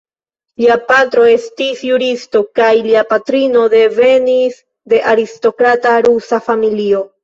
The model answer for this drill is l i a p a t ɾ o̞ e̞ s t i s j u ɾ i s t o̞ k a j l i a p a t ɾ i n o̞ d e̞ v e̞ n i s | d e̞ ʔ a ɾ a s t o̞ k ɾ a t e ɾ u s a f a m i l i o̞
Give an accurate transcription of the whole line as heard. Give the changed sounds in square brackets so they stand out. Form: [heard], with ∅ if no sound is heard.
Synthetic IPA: l i a p a t ɾ o̞ e̞ s t i s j u ɾ i s t o̞ k a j l i a p a t ɾ i n o̞ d e̞ v e̞ n i s | d e̞ ʔ a ɾ [i] s t o̞ k ɾ a t [a] ɾ u s a f a m i l i o̞

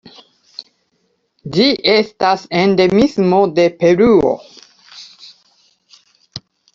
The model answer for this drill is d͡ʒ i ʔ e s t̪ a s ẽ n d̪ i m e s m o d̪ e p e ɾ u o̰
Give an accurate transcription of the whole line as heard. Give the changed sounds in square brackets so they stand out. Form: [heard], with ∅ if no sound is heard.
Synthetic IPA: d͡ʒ i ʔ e s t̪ a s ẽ n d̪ [e] m [i] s m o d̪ e p e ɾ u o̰

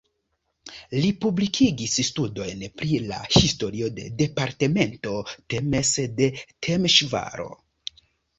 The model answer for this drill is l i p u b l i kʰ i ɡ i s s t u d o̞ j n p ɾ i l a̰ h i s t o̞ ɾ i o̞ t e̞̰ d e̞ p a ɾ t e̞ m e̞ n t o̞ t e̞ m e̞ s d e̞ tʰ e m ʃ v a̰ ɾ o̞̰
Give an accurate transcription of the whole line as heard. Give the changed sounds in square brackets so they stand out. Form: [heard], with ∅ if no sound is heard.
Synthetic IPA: l i p u b l i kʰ i ɡ i s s t u d o̞ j n p ɾ i l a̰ h i s t o̞ ɾ i o̞ [d] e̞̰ d e̞ p a ɾ t e̞ m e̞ n t o̞ t e̞ m e̞ s d e̞ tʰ e m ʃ v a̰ ɾ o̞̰

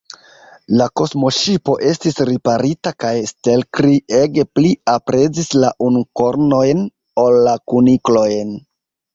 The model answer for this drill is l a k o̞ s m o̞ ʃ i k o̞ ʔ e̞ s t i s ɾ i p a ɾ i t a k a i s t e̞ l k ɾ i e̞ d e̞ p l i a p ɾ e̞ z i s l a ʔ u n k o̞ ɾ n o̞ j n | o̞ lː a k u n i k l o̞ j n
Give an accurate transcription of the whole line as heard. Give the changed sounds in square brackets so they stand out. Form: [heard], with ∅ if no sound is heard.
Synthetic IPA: l a k o̞ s m o̞ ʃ i [p] o̞ ʔ e̞ s t i s ɾ i p a ɾ i t a k a [j] s t e̞ l k ɾ i e̞ [ɡ] e̞ p l i a p ɾ e̞ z i s l a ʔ u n k o̞ ɾ n o̞ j n | o̞ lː a k u n i k l o̞ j n

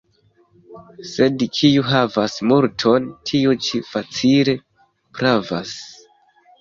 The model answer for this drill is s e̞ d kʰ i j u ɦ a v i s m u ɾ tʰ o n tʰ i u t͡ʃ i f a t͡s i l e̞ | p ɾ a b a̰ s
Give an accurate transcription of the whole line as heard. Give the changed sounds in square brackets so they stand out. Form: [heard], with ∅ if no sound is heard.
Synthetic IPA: s e̞ d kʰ i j u ɦ a v [a] s m u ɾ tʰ o n tʰ i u t͡ʃ i f a t͡s i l e̞ | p ɾ a [v] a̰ s

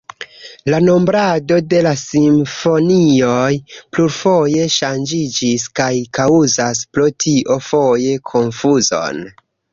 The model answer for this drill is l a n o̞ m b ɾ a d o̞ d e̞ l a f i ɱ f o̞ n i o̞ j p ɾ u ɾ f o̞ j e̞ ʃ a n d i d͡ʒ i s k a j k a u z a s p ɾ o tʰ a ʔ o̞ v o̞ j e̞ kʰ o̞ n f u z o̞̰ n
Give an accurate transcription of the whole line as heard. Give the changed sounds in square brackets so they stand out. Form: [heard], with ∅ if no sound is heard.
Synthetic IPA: l a n o̞ m b ɾ a d o̞ d e̞ l a [s] i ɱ f o̞ n i o̞ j p [l] u ɾ f o̞ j e̞ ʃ a n [d͡ʒ] i d͡ʒ i s k a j k a u z a s p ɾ o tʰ [i] ʔ o̞ [f] o̞ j e̞ kʰ o̞ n f u z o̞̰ n

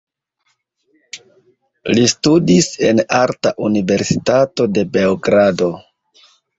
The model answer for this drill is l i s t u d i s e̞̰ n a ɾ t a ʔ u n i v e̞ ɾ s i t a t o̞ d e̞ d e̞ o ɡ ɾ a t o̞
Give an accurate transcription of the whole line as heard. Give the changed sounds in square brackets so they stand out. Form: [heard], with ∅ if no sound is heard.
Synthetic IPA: l i s t u d i s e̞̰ n a ɾ t a ʔ u n i v e̞ ɾ s i t a t o̞ d e̞ [b] e̞ o ɡ ɾ a [d] o̞

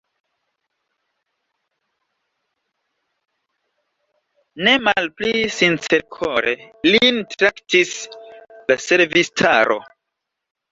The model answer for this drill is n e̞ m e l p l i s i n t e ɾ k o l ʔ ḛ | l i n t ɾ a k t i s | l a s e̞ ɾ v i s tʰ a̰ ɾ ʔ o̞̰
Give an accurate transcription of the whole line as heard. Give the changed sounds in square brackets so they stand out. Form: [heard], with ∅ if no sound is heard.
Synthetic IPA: n e̞ m [a] l p l i s i n [t͡s] e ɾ [kʰ] o [ɾ] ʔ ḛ | l i n t ɾ a k t i s | l a s e̞ ɾ v i s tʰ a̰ ɾ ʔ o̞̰

